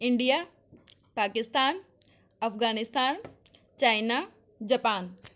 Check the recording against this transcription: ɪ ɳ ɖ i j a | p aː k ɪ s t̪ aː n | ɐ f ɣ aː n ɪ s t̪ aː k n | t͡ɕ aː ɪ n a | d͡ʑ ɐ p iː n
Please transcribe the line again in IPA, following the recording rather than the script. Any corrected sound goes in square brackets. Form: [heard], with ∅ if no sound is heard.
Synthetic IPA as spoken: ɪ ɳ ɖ i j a | p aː k ɪ s t̪ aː n | ɐ f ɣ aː n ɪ s t̪ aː [∅] n | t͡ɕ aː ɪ n a | d͡ʑ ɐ p [aː] n